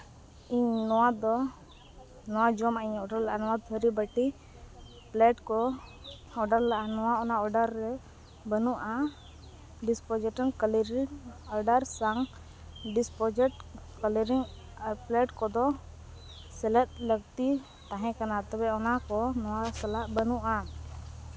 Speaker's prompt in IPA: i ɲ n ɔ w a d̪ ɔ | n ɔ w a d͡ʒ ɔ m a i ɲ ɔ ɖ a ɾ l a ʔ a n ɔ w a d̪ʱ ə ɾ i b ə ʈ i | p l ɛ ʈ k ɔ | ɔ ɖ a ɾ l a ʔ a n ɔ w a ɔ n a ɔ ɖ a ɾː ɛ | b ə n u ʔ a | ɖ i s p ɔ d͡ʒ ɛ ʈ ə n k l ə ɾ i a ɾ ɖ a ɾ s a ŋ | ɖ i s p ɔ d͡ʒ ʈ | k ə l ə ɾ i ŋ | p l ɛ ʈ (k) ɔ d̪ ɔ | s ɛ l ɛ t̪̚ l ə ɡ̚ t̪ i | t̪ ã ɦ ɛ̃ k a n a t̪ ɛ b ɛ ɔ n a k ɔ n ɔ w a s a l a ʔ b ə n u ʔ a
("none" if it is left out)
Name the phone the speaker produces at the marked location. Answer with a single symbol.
k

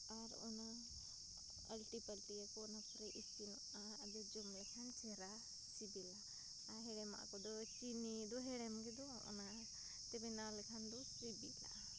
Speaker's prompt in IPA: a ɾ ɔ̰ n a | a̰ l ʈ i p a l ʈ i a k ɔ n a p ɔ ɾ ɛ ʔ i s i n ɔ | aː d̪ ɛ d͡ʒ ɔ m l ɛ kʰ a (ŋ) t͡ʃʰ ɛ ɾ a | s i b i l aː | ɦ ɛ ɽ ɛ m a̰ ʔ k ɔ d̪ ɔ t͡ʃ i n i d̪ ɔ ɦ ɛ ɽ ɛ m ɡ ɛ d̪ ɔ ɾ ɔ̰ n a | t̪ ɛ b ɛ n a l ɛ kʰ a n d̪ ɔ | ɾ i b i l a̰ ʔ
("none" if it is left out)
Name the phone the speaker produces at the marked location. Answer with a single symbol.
n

